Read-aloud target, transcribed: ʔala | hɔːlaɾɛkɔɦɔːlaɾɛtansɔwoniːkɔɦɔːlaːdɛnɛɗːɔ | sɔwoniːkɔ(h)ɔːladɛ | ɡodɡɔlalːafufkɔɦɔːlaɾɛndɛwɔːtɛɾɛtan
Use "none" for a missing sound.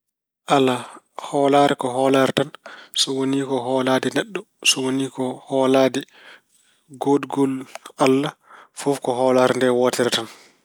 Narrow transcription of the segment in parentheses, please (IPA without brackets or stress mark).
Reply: h